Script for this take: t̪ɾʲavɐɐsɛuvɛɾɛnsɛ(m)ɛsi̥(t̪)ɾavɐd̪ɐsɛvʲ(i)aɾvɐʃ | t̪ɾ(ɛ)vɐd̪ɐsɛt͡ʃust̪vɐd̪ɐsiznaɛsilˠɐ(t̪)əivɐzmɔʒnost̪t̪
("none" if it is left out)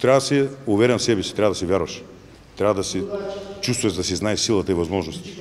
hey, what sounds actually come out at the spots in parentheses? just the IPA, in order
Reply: b, t̪, j, a, t̪

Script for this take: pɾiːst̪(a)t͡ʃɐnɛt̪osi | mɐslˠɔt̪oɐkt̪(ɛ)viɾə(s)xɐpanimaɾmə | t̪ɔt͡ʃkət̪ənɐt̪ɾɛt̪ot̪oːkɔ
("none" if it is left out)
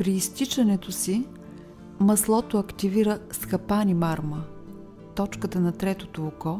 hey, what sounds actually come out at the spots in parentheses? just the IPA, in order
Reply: i, i, s

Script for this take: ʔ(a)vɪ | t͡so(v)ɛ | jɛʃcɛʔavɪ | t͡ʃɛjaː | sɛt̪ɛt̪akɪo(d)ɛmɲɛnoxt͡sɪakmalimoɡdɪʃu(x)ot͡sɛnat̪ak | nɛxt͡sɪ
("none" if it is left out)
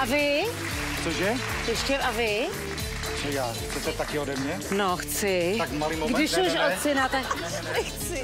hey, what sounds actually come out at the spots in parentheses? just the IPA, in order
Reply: a, ʒ, d, ʃ

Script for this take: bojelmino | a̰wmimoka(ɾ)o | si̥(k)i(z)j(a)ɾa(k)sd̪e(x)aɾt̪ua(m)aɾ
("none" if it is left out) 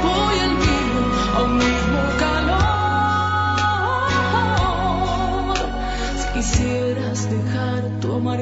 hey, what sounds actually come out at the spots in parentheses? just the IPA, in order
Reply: l, k, s, e, none, x, m

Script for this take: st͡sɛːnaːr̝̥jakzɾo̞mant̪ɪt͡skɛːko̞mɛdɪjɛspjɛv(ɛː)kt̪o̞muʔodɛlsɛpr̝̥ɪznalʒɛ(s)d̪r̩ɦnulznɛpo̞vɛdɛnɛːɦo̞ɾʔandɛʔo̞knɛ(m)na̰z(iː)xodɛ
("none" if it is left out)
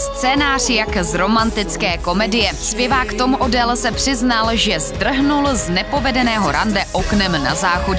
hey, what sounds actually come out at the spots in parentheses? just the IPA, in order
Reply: aː, z, m, aː

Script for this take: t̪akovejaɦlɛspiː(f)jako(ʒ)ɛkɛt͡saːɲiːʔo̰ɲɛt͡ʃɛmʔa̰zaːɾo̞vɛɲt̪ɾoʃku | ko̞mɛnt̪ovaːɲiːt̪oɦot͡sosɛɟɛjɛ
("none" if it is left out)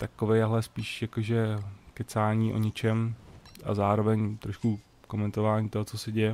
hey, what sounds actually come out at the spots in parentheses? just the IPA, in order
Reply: ʃ, ʒ

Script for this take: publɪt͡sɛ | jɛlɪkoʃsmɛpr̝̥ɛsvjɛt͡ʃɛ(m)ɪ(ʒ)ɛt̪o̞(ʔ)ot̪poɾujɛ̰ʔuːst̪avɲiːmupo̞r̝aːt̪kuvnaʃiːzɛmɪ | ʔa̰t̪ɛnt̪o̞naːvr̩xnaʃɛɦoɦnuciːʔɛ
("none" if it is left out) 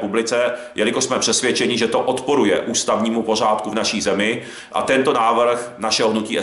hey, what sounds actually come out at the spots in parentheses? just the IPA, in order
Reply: ɲ, ʒ, ʔ

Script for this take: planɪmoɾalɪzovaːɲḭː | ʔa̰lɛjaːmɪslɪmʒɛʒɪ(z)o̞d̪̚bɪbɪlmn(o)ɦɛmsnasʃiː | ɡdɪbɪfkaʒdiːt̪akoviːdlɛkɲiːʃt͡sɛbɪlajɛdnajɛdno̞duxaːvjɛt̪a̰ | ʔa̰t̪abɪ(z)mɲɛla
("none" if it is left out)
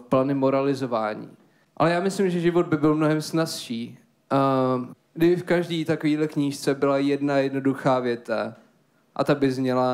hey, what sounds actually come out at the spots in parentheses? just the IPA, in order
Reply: v, o, z

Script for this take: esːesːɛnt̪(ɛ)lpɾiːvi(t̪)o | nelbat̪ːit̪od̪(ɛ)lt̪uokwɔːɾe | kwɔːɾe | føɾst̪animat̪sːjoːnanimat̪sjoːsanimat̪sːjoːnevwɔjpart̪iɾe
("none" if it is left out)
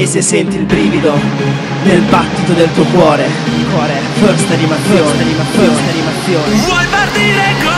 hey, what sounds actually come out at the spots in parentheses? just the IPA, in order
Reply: i, d̪, e

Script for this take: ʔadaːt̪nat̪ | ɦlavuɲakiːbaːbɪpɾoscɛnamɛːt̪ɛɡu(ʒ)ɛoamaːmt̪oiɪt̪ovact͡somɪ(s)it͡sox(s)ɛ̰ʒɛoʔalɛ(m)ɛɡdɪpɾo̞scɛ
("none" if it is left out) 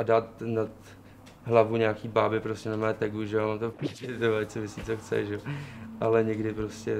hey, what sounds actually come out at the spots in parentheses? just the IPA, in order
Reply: ʒ, s, t͡s, ɲ

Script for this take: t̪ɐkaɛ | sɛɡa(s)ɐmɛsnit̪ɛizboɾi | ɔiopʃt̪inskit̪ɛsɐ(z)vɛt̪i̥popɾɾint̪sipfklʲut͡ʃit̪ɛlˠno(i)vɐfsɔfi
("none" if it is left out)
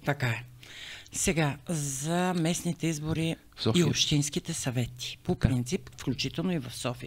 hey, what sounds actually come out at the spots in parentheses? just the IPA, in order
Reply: z, none, i

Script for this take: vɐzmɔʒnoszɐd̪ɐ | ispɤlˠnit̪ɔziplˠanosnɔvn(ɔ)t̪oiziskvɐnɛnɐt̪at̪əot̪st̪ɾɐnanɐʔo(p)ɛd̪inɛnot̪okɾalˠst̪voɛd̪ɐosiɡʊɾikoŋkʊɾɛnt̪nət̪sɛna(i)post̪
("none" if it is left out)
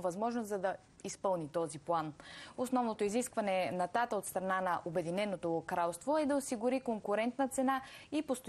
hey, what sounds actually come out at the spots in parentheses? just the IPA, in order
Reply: o, b, i

